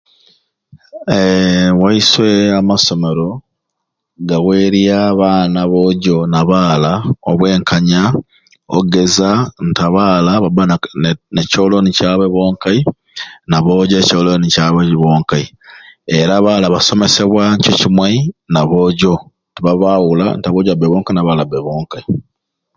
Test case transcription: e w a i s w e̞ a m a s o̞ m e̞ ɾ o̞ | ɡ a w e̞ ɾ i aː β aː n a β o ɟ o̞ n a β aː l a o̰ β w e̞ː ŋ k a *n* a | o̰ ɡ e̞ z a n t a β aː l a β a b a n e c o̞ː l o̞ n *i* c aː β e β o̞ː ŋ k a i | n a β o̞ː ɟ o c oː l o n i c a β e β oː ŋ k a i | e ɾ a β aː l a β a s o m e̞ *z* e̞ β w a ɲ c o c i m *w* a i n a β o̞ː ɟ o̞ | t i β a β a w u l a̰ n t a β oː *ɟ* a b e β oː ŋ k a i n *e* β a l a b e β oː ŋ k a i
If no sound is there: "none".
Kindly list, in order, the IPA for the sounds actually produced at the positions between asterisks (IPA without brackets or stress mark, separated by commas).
ɲ, i, s, w, ɟ, a